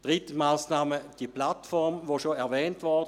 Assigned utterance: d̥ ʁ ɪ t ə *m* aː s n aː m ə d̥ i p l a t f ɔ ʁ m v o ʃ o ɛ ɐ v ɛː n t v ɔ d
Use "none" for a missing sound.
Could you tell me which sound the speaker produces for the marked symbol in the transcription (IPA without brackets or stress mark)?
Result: m